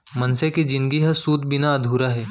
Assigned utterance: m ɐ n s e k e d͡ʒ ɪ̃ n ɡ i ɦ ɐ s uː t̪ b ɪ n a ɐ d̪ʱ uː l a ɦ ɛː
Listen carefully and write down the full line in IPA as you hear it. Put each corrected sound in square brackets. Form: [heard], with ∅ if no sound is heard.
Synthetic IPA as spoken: m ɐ n s e k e d͡ʒ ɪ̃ n ɡ i ɦ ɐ s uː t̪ b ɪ n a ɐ d̪ʱ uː [ɾ] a ɦ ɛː